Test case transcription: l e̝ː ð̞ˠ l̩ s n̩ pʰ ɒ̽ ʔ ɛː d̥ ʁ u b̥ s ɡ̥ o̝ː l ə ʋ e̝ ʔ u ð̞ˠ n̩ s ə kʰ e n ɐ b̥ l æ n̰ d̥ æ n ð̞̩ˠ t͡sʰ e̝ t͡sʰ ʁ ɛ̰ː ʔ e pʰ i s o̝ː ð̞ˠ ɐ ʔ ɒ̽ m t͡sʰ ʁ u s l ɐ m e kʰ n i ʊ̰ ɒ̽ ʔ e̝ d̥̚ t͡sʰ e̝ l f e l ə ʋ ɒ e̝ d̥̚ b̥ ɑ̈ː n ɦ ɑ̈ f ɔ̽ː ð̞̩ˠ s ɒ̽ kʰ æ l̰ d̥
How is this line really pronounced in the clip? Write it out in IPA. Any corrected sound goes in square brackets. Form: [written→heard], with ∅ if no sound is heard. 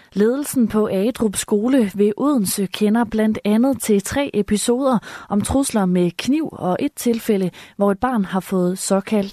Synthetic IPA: l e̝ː ð̞ˠ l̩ s n̩ pʰ ɒ̽ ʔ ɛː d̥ ʁ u b̥ s ɡ̥ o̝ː l ə ʋ e̝ ʔ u ð̞ˠ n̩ s ə kʰ e n ɐ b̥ l æ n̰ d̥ æ n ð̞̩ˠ t͡sʰ e̝ t͡sʰ ʁ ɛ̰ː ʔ e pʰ i s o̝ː ð̞ˠ ɐ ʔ ɒ̽ m t͡sʰ ʁ u s l ɐ m e kʰ n i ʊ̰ ɒ̽ ʔ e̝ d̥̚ t͡sʰ e̝ l f e l ə ʋ ɒ e̝ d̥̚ b̥ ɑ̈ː n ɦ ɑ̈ f ɔ̽ː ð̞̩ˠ s ɒ̽ kʰ æ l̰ d̥